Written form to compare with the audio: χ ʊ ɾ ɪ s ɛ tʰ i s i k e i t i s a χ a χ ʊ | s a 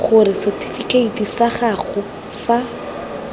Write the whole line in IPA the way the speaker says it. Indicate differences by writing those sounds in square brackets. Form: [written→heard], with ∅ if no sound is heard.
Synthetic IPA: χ ʊ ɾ ɪ s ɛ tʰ i [s→f] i k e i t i s a χ a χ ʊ | s a